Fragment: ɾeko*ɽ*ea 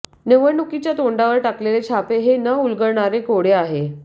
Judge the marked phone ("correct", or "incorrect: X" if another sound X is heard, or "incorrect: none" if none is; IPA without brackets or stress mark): correct